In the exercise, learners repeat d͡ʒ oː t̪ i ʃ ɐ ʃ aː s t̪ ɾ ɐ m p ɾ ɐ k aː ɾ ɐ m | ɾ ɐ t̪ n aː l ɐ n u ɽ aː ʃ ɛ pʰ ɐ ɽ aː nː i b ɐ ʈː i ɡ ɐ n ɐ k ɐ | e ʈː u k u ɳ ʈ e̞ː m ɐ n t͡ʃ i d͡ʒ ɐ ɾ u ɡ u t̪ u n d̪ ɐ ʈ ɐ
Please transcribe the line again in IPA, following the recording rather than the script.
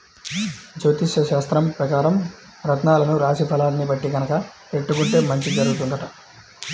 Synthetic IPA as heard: d͡ʒ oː t̪ i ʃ ɐ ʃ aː s t̪ ɾ ɐ m p ɾ ɐ k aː ɾ ɐ m | ɾ ɐ t̪ n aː l ɐ n u ɾ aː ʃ i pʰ ɐ l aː nː i b ɐ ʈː i ɡ ɐ n ɐ k ɐ | e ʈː u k u ɳ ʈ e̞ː m ɐ ɲ t͡ʃ i d͡ʒ ɐ ɾ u ɡ u t̪ u n d̪ ɐ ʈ ɐ